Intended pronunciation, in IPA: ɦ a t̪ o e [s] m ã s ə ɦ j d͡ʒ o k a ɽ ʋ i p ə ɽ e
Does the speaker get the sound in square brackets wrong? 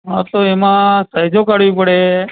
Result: yes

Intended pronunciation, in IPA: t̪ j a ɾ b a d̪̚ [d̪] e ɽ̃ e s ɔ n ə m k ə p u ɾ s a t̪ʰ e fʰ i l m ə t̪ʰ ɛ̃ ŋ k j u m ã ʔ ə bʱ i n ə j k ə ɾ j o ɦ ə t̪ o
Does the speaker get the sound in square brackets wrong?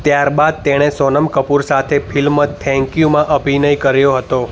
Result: yes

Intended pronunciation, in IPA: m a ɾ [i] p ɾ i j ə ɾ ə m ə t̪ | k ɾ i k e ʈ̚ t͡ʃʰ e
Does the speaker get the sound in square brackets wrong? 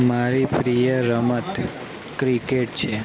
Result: no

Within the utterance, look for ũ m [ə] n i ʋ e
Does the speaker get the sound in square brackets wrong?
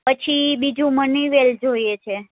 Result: no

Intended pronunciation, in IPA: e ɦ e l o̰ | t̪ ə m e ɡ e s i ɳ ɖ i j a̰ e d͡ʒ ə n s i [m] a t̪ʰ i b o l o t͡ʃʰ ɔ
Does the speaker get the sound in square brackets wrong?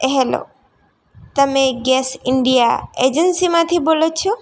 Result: no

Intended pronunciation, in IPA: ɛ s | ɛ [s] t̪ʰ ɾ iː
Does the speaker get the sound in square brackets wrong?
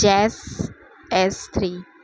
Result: no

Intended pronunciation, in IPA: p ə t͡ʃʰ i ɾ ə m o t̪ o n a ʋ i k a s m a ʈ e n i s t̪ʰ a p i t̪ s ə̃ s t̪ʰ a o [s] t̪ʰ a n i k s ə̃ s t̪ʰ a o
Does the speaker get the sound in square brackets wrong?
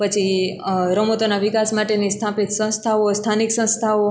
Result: no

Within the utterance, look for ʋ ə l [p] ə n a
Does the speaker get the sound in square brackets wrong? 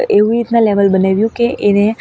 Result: yes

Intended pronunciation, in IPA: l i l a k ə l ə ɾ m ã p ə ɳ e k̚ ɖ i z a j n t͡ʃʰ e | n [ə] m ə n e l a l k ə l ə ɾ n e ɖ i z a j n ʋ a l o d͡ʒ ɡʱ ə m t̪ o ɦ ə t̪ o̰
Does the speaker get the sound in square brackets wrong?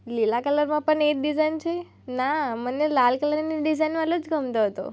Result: yes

